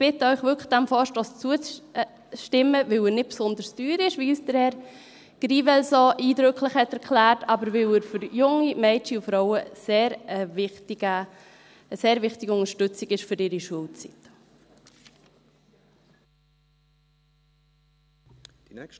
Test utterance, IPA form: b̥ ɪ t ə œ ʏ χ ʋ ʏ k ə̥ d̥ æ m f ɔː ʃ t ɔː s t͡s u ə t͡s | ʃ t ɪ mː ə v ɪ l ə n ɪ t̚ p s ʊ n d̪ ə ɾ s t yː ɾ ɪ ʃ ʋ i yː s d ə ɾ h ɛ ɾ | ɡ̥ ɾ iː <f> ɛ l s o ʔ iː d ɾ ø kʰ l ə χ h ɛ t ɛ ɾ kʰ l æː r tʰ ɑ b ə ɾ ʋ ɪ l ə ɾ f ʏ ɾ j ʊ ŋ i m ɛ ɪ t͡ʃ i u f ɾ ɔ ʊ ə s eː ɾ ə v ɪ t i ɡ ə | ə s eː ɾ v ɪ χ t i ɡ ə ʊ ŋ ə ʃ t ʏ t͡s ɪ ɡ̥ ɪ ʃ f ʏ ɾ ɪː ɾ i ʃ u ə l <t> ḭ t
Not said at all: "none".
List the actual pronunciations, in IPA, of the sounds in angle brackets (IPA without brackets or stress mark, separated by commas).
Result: v, t͡s